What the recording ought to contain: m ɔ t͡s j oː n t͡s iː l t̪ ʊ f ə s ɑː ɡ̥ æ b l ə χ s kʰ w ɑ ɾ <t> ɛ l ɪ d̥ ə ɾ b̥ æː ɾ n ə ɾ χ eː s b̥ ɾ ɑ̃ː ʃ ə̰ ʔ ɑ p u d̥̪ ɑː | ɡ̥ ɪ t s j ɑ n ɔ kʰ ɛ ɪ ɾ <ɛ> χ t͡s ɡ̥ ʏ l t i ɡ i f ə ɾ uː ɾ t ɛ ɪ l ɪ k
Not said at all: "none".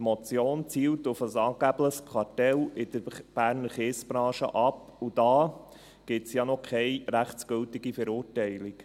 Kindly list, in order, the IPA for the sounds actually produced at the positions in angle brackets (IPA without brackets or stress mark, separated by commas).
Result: t, æ